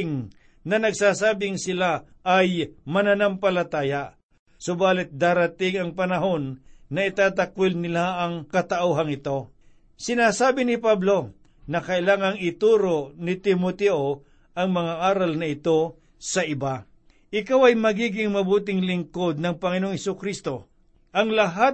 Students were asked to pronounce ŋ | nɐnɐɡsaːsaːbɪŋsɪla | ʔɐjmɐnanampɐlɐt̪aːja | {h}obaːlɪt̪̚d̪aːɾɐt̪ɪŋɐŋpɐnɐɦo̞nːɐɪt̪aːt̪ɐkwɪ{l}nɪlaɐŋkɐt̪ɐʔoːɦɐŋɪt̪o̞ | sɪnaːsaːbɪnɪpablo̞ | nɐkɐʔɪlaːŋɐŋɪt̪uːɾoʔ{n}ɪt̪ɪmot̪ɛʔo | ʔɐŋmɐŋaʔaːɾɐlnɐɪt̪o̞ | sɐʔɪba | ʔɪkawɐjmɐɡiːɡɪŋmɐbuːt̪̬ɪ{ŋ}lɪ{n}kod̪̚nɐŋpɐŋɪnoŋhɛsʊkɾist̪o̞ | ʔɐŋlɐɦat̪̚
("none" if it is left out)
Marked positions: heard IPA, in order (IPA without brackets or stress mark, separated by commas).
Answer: s, l, n, ŋ, ŋ